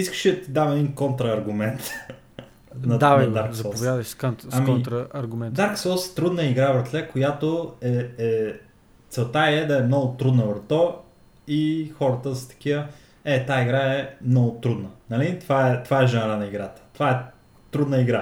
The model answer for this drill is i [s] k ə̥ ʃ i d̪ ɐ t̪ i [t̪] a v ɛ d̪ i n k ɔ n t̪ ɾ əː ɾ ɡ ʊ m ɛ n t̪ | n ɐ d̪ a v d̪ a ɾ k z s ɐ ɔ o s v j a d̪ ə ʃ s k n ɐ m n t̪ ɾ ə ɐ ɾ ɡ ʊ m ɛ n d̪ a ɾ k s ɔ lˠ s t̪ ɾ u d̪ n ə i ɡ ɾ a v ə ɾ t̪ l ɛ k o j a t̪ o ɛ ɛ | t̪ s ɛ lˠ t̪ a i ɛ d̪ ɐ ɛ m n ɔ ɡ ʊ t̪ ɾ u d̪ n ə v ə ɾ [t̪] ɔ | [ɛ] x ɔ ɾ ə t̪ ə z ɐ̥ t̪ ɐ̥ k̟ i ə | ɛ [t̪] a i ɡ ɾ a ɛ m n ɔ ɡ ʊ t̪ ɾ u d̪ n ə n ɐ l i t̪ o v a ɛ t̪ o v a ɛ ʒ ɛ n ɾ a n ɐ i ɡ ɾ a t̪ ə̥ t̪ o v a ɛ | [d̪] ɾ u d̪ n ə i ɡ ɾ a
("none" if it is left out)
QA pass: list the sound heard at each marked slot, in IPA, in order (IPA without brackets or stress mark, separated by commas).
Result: s, d̪, t̪, i, t̪, t̪